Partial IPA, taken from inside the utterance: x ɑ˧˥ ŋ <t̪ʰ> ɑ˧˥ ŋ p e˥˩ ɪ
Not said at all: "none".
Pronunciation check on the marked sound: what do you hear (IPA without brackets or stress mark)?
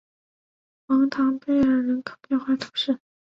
t̪ʰ